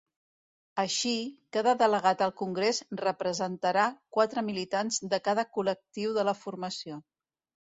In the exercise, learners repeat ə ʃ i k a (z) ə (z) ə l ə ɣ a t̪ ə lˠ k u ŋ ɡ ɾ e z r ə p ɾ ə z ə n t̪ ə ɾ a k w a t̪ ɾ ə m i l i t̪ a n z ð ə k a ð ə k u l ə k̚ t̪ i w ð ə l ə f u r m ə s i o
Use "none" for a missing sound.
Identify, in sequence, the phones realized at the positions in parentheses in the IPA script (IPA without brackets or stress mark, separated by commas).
ð, ð